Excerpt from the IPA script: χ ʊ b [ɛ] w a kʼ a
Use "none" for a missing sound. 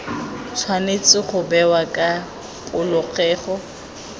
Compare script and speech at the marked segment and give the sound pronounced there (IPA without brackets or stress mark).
ɛ